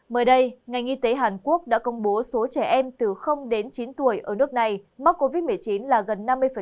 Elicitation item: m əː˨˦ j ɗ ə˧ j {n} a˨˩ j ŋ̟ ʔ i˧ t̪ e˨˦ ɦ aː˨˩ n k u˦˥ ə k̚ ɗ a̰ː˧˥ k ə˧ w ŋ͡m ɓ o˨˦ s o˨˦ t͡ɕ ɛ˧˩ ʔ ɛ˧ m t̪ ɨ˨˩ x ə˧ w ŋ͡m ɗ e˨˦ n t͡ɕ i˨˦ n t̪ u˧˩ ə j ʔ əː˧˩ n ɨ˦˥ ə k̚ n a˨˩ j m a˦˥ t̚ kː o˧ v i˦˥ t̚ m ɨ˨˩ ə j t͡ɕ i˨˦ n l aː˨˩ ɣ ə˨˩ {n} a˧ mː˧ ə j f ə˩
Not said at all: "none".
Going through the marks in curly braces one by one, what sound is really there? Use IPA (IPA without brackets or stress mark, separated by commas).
ŋ, nː